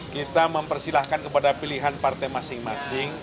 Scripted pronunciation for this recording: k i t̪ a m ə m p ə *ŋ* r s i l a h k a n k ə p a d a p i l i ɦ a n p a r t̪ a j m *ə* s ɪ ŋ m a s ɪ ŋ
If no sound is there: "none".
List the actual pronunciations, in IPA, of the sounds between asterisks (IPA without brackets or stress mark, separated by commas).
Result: none, a